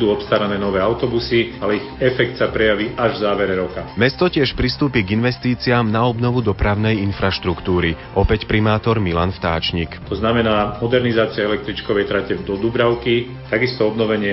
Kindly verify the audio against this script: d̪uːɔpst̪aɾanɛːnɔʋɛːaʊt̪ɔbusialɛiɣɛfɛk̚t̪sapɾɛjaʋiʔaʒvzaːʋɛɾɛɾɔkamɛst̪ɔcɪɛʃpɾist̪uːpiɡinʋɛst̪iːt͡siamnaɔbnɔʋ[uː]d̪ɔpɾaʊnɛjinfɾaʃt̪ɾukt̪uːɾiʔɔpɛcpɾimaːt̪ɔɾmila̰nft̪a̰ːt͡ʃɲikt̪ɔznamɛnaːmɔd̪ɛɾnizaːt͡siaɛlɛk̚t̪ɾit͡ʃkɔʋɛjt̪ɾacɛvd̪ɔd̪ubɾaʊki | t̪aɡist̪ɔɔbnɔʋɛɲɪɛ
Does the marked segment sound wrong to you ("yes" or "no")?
yes